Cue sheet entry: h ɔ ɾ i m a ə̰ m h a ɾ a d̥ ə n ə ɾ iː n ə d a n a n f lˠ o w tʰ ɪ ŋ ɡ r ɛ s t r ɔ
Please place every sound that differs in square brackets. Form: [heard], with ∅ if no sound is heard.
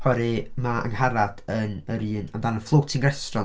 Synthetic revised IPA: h ɔ ɾ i m a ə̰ [ŋ] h a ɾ a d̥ ə n ə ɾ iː n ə d a n [ə] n f lˠ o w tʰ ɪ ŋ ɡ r ɛ s t r ɔ